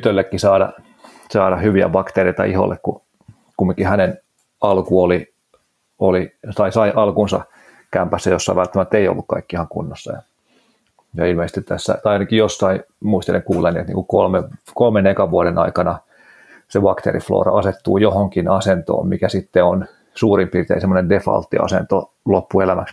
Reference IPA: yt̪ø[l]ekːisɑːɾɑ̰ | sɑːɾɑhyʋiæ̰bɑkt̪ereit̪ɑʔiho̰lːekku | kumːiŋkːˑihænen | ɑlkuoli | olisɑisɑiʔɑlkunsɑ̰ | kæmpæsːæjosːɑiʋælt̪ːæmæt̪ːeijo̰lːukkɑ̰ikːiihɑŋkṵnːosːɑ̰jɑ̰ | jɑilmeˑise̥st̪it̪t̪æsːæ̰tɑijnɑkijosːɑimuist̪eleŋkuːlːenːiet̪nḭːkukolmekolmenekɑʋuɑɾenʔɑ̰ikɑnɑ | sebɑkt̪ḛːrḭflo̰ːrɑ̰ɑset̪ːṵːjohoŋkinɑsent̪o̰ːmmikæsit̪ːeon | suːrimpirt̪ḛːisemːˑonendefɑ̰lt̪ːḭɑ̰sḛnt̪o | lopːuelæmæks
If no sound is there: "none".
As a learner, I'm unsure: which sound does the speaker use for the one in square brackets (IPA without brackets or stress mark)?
lː